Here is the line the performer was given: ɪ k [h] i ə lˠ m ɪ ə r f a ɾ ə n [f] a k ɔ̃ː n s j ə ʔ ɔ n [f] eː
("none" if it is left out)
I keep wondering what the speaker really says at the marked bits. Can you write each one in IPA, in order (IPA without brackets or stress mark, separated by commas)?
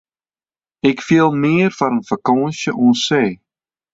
f, f, s